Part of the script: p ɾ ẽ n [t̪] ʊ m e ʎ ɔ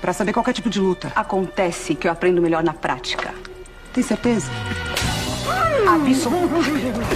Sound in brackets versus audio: incorrect: d̪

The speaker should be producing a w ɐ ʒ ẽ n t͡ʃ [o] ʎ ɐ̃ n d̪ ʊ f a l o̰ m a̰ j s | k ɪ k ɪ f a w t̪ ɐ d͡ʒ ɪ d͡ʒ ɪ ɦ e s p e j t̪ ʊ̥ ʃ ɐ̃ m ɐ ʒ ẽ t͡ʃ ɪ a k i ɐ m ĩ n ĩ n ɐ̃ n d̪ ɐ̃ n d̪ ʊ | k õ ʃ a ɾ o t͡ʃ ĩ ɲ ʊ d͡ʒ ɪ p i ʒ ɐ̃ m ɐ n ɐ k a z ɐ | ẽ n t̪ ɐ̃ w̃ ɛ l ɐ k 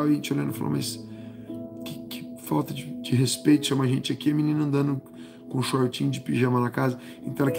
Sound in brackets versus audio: correct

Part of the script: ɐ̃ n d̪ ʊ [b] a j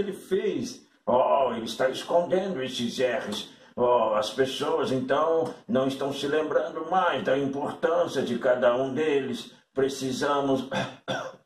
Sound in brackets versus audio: incorrect: m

